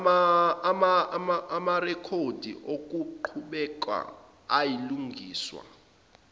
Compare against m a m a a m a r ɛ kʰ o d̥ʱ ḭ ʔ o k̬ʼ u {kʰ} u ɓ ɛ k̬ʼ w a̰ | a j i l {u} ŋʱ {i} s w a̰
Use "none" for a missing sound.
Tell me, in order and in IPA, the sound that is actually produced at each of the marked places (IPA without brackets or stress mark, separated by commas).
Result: ǃʰ, u, iː